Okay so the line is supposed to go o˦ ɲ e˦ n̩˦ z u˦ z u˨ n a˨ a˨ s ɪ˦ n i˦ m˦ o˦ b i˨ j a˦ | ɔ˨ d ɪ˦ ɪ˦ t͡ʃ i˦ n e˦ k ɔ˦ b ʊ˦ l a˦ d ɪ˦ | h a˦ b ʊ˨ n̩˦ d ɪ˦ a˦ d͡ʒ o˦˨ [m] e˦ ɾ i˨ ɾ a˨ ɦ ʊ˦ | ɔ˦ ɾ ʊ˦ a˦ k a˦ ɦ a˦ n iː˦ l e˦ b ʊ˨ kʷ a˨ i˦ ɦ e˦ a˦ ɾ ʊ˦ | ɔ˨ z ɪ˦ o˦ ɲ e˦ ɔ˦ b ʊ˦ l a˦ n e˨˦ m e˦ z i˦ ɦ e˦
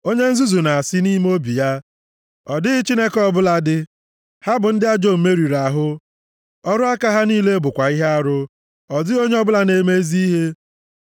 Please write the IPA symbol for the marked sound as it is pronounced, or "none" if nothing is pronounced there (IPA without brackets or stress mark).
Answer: m